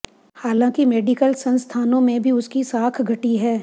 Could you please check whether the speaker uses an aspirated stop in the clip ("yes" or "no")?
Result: yes